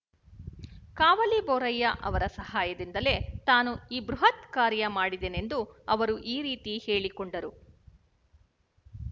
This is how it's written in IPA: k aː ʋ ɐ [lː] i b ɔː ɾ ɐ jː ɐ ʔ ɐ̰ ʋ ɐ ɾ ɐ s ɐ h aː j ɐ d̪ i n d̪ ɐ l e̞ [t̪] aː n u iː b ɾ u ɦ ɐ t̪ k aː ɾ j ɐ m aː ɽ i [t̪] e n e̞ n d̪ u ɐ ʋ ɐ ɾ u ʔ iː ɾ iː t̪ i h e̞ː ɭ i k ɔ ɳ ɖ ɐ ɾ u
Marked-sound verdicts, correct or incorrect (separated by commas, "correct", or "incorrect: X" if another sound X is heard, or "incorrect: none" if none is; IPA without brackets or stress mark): incorrect: l, correct, incorrect: d̪